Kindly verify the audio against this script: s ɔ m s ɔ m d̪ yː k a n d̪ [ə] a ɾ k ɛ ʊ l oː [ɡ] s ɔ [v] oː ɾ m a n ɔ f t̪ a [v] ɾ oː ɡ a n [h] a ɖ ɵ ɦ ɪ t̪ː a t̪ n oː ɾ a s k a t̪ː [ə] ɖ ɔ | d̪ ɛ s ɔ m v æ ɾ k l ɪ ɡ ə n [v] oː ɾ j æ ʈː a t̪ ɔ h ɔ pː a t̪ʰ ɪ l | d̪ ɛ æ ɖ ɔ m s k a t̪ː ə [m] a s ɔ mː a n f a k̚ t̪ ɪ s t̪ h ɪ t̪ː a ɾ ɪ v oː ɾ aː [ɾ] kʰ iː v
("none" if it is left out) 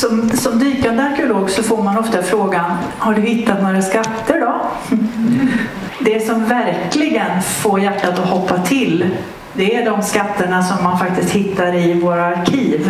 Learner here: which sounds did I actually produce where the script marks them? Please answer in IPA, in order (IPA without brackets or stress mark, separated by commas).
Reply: ə, ɡ, f, f, h, ə, f, ɳ, ɾ